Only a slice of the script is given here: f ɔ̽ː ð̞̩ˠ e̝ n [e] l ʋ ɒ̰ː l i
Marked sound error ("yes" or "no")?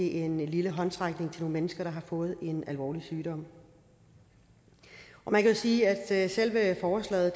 yes